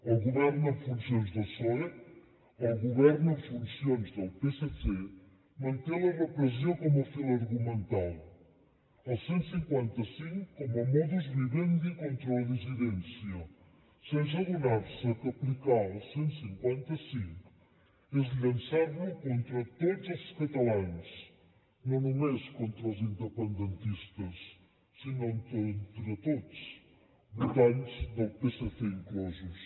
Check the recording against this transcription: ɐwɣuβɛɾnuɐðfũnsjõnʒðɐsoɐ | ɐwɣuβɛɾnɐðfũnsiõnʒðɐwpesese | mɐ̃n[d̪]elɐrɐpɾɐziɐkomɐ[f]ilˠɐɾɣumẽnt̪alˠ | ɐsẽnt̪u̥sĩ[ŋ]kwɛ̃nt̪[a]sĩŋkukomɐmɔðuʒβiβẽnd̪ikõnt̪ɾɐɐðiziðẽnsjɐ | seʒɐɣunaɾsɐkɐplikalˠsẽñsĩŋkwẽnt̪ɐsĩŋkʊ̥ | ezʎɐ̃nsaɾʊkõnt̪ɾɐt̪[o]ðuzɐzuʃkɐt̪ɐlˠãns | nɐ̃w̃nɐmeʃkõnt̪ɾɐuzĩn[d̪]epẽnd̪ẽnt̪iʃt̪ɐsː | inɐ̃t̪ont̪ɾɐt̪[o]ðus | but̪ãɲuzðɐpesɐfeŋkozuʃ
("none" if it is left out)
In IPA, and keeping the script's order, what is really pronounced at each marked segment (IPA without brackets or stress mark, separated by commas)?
t̪, f, ŋ, ɐ, o, d̪, o